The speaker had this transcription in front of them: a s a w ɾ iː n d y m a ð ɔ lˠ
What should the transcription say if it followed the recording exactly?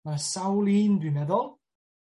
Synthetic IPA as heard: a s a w l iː n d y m ɛ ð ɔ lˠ